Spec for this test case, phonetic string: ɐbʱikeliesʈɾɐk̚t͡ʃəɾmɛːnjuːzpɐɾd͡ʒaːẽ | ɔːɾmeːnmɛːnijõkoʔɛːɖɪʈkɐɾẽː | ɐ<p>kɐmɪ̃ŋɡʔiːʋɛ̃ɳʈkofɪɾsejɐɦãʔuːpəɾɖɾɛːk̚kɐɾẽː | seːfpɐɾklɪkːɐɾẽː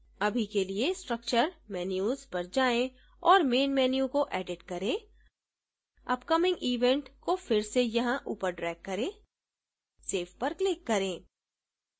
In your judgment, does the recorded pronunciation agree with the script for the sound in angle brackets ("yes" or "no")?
yes